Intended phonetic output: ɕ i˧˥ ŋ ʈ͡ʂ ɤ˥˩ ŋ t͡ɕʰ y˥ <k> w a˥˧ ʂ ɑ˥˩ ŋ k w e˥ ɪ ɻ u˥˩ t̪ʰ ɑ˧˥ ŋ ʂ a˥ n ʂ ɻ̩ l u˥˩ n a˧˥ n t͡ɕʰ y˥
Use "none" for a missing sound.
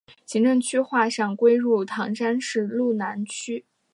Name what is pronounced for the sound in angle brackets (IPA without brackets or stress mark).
x